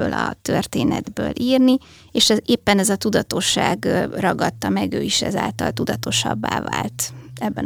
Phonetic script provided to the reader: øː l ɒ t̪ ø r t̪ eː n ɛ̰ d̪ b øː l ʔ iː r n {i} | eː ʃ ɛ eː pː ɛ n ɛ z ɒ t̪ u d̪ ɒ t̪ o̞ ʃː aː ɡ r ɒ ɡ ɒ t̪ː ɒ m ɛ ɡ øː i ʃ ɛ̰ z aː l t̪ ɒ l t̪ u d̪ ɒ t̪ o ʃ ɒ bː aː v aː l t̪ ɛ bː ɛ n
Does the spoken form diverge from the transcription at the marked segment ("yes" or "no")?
no